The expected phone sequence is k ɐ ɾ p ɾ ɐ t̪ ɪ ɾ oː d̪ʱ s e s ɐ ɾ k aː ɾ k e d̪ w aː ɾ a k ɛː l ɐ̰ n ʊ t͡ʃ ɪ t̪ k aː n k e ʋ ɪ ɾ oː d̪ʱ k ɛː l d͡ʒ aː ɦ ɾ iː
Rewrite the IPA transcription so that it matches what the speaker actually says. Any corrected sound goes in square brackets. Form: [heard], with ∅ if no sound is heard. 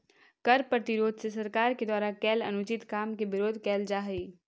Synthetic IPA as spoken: k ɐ ɾ p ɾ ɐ t̪ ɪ ɾ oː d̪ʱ s e s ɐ ɾ k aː ɾ k e d̪ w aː ɾ a k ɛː l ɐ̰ n ʊ t͡ʃ ɪ t̪ k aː [m] k e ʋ ɪ ɾ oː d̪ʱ k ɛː l d͡ʒ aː ɦ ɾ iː